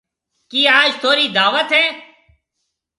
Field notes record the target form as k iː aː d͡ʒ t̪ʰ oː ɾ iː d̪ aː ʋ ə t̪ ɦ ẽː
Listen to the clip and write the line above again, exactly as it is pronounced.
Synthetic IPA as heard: k iː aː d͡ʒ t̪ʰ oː ɾ iː d̪ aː ʋ ə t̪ ɦ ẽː